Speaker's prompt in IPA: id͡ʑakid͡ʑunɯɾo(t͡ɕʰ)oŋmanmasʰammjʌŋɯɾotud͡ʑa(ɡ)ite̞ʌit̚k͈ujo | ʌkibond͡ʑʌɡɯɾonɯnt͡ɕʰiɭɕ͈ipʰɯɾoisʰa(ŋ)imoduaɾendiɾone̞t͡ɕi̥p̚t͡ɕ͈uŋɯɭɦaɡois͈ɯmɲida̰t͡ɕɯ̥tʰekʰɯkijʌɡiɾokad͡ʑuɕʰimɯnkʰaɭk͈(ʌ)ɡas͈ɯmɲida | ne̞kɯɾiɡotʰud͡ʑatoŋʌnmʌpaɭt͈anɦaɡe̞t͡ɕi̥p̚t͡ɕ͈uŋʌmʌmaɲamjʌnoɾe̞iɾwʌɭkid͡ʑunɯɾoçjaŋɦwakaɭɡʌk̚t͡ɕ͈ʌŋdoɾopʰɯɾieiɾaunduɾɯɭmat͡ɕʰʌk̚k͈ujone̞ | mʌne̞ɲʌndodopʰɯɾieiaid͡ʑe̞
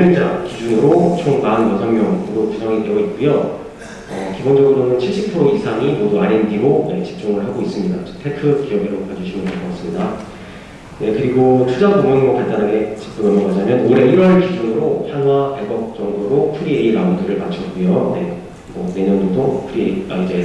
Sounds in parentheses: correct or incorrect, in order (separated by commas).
correct, incorrect, correct, correct